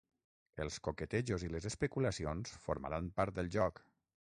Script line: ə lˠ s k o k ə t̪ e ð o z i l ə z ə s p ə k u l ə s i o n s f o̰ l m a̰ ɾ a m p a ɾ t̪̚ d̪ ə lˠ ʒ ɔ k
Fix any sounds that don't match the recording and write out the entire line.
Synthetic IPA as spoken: ə lˠ s k o k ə t̪ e ʒ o z i l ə z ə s p ə k u l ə s i o n s f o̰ ɾ m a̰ ɾ a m p a ɾ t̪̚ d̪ ə lˠ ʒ ɔ k